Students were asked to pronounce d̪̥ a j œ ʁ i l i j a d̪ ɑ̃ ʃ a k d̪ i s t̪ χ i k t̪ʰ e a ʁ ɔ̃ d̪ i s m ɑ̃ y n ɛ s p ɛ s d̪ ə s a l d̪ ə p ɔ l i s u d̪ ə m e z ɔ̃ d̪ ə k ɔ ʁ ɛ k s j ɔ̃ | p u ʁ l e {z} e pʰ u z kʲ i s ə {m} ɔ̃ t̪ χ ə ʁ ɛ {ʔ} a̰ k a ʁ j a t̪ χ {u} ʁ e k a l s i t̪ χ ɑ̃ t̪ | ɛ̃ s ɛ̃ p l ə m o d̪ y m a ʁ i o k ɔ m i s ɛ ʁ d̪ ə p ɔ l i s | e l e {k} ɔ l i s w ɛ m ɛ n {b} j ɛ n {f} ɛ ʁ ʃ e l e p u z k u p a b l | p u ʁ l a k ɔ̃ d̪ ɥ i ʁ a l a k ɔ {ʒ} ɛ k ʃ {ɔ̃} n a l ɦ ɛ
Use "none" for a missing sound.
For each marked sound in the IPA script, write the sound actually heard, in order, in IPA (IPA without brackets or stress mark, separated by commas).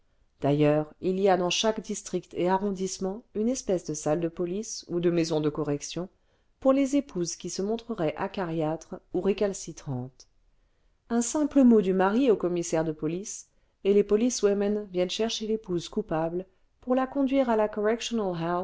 z, m, ʔ, u, p, v, ʃ, ʁ, ɔ